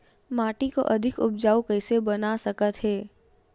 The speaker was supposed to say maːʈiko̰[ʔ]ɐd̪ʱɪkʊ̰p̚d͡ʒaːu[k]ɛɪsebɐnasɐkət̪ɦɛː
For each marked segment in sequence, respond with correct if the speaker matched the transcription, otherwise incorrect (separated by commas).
correct, correct